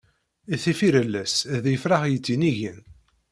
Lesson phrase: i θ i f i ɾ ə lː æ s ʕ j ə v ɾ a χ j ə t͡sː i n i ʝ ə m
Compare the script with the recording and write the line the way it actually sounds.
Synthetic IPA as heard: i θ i f i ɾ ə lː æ s ð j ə f ɾ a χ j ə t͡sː i n i ʝ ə n